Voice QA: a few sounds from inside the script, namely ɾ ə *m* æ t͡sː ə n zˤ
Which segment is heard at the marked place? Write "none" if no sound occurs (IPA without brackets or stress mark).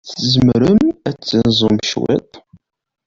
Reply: m